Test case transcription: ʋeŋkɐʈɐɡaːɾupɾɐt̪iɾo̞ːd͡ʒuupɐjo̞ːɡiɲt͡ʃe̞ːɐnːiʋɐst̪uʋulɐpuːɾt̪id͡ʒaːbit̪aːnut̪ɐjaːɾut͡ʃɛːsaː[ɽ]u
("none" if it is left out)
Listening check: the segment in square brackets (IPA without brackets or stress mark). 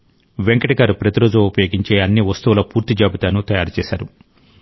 ɾ